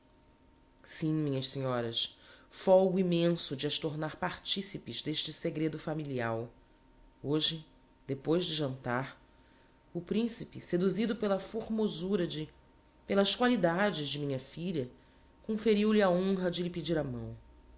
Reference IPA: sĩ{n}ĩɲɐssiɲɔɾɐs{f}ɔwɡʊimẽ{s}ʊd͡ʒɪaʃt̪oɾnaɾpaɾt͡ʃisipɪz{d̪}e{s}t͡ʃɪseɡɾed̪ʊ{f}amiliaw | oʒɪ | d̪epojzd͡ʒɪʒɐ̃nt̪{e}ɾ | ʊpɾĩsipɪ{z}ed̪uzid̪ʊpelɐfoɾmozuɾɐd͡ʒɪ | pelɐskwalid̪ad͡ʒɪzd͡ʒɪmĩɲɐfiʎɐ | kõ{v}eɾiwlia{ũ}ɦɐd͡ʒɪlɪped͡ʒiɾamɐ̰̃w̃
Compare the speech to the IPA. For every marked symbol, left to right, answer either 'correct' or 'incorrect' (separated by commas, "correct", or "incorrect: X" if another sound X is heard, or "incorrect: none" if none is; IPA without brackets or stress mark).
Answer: incorrect: m, correct, correct, correct, incorrect: ʃ, correct, incorrect: a, incorrect: s, incorrect: f, incorrect: õ